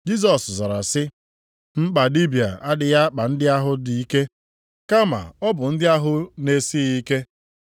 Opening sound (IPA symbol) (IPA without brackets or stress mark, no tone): d͡ʒ